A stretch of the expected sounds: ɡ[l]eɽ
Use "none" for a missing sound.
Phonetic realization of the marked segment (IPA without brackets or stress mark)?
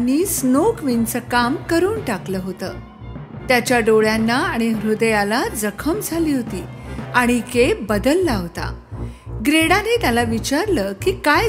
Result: ɾ